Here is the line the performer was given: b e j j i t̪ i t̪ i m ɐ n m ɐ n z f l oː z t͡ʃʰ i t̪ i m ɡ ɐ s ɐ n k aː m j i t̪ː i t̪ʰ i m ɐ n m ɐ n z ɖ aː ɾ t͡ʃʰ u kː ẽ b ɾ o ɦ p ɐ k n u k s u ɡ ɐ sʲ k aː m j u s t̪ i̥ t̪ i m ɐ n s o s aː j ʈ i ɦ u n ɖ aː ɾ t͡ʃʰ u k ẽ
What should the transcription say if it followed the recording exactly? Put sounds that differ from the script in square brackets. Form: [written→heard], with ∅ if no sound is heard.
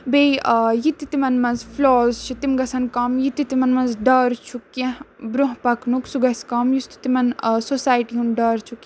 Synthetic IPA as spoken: b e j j i t̪ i t̪ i m ɐ n m ɐ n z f l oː z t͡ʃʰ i t̪ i m ɡ ɐ s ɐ n k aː m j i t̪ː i [t̪ʰ→t̪] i m ɐ n m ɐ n z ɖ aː ɾ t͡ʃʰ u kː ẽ b ɾ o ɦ p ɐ k n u k s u ɡ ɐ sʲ k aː m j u s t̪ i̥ t̪ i m ɐ n s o s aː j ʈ i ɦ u n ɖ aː ɾ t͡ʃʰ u k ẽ

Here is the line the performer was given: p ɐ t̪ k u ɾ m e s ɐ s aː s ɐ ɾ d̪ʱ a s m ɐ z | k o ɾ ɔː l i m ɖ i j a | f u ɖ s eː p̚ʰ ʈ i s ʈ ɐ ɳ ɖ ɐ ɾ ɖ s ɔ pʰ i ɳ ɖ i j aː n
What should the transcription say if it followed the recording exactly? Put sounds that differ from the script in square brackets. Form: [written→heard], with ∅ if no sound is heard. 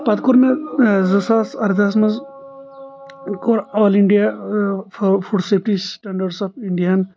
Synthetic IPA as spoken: p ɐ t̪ k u ɾ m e [s→z] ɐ s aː s ɐ ɾ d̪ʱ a s m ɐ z | k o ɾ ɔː l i [m→ɳ] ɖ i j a | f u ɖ s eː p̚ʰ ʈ i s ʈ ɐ ɳ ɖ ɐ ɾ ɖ s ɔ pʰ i ɳ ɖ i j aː n

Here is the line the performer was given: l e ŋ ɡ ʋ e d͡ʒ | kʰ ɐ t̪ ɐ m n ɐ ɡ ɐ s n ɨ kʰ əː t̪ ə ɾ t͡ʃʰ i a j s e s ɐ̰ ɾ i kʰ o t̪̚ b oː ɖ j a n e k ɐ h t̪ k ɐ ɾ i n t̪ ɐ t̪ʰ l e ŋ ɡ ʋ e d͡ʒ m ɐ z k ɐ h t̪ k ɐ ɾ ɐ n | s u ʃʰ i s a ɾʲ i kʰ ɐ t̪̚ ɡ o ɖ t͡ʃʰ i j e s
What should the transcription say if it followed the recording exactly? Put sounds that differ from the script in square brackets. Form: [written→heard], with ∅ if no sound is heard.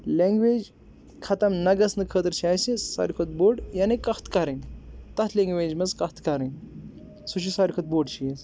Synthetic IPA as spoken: l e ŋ ɡ ʋ e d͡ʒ | kʰ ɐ t̪ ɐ m n ɐ ɡ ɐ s n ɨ kʰ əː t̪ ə ɾ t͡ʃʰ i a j s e s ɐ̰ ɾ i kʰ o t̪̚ b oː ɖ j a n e k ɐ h t̪ k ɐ ɾ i n t̪ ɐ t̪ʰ l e ŋ ɡ ʋ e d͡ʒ m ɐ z k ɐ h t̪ k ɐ ɾ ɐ n | s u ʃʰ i s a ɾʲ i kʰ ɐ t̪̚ [ɡ→b] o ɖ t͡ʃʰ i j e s

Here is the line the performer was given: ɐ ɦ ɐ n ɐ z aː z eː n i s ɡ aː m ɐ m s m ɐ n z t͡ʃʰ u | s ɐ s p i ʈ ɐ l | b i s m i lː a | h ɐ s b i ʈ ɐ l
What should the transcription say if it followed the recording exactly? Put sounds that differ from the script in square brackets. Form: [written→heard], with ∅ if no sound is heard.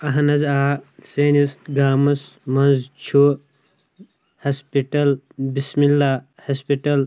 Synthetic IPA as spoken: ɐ ɦ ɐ n ɐ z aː [z→s] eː n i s ɡ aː m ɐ [m→∅] s m ɐ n z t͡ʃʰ u | [s→h] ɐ s p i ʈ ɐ l | b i s m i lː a | h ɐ s [b→p] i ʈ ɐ l

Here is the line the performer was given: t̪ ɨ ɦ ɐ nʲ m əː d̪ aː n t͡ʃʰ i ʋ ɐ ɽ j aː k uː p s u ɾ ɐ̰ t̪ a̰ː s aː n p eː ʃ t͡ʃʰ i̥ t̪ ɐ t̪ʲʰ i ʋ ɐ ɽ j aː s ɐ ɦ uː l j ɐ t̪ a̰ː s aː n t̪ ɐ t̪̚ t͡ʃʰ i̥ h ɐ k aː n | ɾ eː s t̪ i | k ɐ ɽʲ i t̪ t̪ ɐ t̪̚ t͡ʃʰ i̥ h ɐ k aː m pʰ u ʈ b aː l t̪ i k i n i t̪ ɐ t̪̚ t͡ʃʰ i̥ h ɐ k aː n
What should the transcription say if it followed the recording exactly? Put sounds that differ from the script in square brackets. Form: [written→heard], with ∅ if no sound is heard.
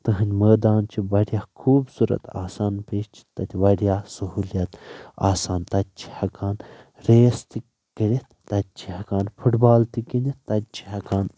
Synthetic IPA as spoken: t̪ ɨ ɦ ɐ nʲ m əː d̪ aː n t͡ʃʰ i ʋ ɐ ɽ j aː [k→kʰ] uː [p→b] s u ɾ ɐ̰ t̪ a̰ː s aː n p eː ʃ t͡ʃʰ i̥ t̪ ɐ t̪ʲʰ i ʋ ɐ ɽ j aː s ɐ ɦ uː l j ɐ t̪ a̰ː s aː n t̪ ɐ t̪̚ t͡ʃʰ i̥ h ɐ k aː n | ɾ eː s t̪ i | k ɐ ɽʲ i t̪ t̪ ɐ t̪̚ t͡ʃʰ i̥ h ɐ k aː [m→n] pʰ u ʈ b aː l t̪ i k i n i t̪ ɐ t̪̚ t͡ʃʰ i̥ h ɐ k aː n

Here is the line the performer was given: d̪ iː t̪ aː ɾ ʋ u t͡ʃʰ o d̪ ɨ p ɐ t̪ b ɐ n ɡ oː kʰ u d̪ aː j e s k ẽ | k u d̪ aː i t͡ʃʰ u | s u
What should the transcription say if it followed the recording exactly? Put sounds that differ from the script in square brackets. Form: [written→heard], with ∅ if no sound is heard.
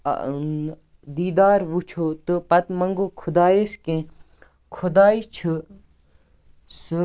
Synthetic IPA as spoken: d̪ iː [t̪→d̪] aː ɾ ʋ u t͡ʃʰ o [d̪→t̪] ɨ p ɐ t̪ [b→m] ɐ [n→ŋ] ɡ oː kʰ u d̪ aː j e s k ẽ | [k→kʰ] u d̪ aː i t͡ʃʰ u | s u

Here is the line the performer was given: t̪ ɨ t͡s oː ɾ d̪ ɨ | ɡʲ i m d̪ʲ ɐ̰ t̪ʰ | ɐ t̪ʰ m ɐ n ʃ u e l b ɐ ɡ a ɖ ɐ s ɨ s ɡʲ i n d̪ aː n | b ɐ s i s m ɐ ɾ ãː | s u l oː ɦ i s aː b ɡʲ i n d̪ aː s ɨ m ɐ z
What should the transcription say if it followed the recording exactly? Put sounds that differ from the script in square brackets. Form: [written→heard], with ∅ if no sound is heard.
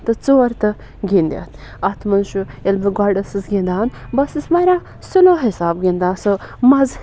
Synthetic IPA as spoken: t̪ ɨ t͡s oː ɾ [d̪→t̪] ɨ | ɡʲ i [m→n] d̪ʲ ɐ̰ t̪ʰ | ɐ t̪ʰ m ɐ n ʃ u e l b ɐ ɡ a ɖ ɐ s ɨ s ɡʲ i n d̪ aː n | b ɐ s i s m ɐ ɾ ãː | s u l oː ɦ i s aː b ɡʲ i n d̪ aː s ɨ m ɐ z

